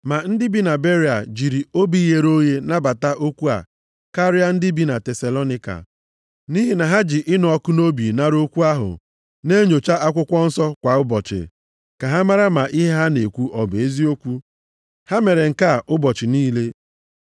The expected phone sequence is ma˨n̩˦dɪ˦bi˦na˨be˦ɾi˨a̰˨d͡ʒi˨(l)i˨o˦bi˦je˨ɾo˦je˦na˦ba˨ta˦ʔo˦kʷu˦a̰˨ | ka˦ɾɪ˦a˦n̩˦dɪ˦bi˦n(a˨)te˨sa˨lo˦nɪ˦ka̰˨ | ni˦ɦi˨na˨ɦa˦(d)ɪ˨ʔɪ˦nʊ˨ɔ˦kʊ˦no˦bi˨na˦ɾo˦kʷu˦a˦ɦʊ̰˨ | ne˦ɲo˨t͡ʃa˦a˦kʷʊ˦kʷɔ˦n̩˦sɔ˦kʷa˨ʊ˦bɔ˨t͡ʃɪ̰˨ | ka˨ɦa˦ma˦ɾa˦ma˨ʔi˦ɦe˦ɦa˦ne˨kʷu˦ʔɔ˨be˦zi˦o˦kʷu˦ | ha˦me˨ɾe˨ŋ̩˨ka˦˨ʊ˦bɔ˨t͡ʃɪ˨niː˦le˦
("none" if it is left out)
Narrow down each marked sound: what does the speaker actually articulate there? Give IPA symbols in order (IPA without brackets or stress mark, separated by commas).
ɾ, a˨, d͡ʒ